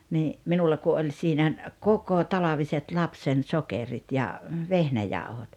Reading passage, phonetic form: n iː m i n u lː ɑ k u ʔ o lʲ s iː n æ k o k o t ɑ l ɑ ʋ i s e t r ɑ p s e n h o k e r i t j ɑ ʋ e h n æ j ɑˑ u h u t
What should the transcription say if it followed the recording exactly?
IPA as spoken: n iː m i n u lː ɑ k u ʔ o lʲ s iː n æ k o k o t ɑ l ɑ ʋ i s e t l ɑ p s e n s o k e r i t j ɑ ʋ e h n æ j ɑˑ u h o t